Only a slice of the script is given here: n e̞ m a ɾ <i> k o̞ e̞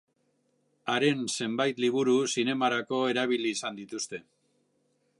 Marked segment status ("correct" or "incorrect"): incorrect